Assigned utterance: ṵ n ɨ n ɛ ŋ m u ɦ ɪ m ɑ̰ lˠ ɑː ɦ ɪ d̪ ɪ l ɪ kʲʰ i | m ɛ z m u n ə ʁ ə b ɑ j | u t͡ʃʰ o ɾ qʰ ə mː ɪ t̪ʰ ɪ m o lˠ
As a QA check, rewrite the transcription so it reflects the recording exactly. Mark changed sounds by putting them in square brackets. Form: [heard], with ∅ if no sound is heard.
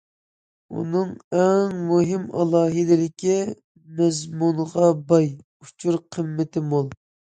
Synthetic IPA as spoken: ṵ n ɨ [ŋ] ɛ ŋ m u ɦ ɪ m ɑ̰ lˠ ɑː ɦ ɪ d̪ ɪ l ɪ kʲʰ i | m ɛ z m u n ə ʁ [ɑ] b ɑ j | u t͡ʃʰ [u] ɾ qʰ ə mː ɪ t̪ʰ ɪ m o lˠ